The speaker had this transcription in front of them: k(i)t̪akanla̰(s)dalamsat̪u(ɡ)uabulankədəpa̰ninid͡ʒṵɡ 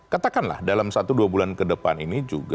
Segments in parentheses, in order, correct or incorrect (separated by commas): incorrect, incorrect, incorrect